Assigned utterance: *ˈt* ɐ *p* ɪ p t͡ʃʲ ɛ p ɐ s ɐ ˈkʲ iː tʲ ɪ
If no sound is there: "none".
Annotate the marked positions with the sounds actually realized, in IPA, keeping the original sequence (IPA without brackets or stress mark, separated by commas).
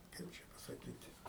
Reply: k, none